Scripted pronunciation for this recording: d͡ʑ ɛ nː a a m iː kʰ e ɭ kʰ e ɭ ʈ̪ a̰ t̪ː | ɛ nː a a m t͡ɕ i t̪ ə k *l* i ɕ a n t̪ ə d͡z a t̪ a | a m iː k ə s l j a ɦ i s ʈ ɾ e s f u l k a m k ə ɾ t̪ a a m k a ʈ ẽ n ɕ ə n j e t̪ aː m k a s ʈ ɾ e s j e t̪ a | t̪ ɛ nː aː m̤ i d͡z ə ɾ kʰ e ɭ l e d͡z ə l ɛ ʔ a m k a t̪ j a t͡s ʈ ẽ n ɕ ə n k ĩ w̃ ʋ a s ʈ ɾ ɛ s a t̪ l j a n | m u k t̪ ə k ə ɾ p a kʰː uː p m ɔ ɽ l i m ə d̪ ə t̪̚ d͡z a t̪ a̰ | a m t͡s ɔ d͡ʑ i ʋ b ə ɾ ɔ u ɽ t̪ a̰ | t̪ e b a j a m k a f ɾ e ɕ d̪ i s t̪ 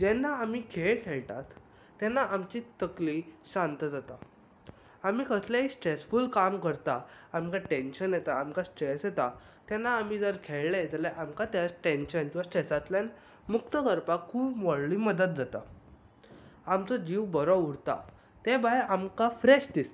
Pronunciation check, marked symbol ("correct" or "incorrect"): correct